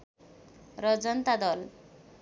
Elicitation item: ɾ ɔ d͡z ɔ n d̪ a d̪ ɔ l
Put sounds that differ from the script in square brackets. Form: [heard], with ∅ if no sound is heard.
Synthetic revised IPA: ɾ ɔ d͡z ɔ n [t̪] a d̪ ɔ l